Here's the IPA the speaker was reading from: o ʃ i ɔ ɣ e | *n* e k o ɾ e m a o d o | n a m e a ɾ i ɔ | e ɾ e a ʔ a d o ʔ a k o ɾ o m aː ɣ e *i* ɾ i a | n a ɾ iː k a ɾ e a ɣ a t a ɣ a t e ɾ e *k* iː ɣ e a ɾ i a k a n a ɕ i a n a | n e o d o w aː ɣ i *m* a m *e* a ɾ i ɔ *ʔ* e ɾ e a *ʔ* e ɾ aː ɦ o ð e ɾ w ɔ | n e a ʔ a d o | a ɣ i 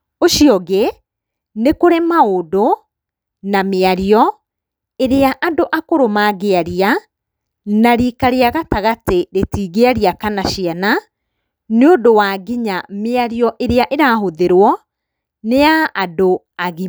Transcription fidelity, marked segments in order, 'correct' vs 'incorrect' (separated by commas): correct, incorrect, incorrect, incorrect, correct, correct, correct